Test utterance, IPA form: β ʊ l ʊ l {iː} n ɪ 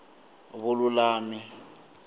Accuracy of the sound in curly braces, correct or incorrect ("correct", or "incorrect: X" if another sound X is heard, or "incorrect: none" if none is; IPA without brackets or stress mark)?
incorrect: aː